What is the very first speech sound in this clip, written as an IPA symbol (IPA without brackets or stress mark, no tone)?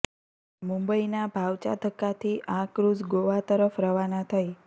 m